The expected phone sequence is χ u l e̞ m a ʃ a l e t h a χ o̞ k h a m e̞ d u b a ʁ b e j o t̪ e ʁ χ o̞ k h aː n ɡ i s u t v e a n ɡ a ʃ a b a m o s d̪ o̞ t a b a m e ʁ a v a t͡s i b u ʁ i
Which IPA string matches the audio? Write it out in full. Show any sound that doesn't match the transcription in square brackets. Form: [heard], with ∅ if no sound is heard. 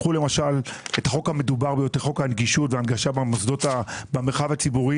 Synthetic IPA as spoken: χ u l e̞ m a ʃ a l e t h a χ o̞ k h a m e̞ d u b a ʁ b e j o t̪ e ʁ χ o̞ k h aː n ɡ i [ʃ] u t v e a n ɡ a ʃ a b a m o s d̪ o̞ t a b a m e [χ] a v a t͡s i b u ʁ i